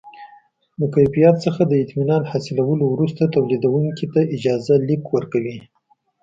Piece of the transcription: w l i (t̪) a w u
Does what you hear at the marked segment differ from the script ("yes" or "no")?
yes